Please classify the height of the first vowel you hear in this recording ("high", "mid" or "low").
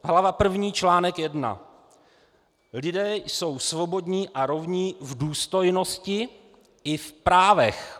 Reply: low